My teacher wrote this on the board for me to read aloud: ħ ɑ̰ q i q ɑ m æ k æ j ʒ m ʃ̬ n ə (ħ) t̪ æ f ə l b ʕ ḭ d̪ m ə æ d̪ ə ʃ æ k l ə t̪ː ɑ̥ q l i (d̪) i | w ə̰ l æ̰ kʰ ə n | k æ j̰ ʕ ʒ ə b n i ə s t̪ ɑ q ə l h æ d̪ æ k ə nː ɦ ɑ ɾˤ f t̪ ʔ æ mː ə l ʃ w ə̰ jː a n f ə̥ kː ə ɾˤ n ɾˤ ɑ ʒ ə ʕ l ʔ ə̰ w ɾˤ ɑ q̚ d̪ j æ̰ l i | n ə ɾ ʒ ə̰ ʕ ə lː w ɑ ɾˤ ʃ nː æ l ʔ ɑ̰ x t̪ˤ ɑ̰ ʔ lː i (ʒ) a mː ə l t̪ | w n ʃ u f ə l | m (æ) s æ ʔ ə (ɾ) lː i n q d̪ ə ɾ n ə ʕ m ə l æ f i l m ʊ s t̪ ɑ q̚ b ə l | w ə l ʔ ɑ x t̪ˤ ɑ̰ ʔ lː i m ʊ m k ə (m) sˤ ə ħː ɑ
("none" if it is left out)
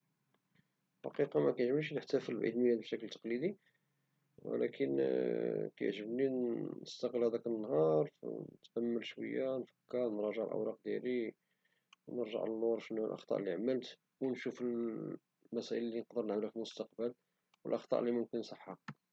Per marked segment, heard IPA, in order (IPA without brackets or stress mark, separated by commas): ħ, d̪, ʕ, æ, l, n